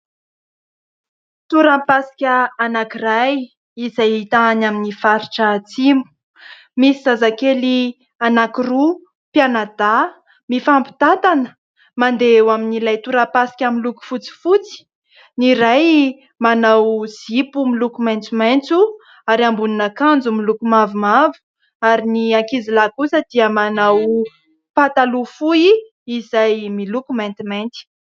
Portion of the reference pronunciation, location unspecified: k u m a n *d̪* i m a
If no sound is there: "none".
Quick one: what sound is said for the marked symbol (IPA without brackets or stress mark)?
t̪